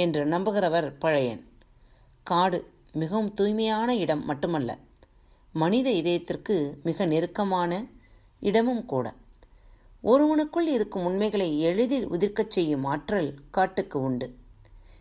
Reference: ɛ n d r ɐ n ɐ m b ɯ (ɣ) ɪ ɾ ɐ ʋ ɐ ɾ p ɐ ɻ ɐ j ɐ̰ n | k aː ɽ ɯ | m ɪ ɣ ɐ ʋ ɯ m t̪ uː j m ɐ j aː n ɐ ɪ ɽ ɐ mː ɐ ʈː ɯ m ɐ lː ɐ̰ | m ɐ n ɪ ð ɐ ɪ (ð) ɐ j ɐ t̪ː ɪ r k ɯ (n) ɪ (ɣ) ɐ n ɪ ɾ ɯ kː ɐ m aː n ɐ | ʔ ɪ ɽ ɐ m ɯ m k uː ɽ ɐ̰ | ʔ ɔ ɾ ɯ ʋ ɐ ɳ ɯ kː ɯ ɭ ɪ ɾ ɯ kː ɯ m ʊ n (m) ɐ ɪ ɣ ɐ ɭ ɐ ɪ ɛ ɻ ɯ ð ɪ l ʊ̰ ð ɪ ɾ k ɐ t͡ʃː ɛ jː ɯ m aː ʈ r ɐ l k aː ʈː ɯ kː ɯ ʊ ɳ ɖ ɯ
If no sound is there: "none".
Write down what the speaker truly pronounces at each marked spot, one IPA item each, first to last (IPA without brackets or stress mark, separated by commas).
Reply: ɣ, ð, m, ɣ, m